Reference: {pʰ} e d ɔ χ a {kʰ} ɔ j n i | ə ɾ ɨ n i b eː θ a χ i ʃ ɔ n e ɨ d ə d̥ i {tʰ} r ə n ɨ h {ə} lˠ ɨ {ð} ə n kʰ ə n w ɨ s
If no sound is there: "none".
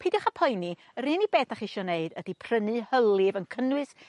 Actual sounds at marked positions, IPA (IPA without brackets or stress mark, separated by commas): pʰ, pʰ, pʰ, ə, v